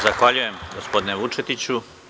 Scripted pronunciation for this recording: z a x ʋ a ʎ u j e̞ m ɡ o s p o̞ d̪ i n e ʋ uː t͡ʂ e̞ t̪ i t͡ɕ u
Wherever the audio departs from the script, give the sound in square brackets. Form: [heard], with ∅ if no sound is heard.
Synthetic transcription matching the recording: z a x ʋ a ʎ u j e̞ m ɡ o s p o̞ d̪ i n e ʋ [u] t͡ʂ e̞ t̪ i t͡ɕ u